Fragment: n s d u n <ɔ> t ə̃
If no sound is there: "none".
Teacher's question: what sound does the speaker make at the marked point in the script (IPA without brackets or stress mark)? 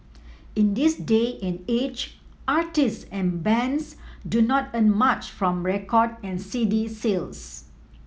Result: ɔ